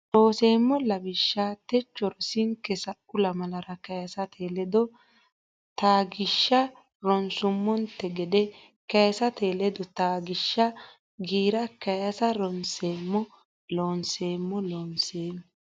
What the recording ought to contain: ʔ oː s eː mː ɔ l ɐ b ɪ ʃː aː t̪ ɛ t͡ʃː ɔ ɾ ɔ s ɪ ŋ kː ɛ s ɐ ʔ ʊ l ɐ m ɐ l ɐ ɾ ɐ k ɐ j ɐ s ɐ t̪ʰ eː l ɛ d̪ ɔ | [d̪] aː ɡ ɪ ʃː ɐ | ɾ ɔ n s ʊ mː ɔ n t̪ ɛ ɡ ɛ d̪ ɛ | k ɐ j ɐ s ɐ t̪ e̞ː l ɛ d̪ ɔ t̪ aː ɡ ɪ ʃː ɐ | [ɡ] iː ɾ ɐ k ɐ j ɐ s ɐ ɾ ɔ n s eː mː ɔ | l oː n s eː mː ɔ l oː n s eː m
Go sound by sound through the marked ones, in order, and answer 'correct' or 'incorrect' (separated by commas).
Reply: incorrect, correct